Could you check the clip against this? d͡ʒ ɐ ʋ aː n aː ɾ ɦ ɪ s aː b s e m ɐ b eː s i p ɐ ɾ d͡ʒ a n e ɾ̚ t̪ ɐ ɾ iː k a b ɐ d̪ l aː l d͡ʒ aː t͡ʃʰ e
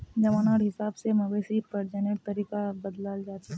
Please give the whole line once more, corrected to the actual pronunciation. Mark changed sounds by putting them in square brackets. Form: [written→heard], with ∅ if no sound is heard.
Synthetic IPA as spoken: d͡ʒ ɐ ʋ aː n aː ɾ ɦ ɪ s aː b s e m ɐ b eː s i p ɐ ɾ d͡ʒ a n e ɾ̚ t̪ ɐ ɾ iː k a b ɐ d̪ l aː l d͡ʒ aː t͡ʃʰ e